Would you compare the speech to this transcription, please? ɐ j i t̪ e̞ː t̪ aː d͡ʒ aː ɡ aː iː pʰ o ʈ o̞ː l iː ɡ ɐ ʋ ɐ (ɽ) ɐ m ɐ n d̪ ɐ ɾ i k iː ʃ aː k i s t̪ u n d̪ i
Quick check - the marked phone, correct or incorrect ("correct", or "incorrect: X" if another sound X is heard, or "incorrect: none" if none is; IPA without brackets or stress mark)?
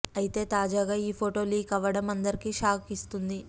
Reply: correct